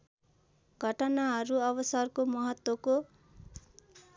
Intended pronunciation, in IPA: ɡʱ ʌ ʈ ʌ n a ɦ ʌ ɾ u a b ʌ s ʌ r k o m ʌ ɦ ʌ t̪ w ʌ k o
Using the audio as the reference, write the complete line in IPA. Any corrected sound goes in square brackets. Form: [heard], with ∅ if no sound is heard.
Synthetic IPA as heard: ɡʱ ʌ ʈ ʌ n a ɦ ʌ ɾ u [ʌ] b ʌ s ʌ r k o m ʌ ɦ ʌ t̪ w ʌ k o